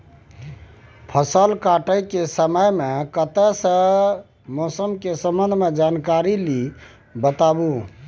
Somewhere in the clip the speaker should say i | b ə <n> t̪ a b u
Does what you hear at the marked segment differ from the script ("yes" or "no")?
yes